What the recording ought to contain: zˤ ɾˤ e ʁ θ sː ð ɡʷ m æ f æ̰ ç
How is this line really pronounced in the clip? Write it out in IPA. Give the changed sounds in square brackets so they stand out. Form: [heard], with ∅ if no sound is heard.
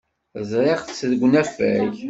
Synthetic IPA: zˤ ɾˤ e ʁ θ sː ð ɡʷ [n] æ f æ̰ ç